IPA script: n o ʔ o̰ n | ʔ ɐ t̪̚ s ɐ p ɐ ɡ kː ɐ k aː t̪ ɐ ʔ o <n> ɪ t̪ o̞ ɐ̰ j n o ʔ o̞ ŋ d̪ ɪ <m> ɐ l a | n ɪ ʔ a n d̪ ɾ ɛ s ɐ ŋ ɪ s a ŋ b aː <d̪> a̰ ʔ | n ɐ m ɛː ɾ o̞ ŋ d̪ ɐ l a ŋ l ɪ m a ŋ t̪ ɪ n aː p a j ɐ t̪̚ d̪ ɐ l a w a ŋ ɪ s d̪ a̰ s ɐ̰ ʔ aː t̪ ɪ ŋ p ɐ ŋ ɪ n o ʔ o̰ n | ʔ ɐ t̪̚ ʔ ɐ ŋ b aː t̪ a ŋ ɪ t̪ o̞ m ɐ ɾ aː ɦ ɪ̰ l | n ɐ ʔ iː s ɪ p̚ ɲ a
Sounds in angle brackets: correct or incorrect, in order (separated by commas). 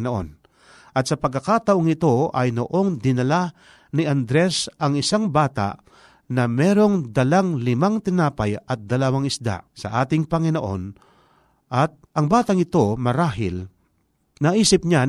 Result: incorrect, incorrect, incorrect